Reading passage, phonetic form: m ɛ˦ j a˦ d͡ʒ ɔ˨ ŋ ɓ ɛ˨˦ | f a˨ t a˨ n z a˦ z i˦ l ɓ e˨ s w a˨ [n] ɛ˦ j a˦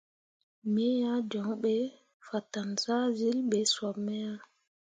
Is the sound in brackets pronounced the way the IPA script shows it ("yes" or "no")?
no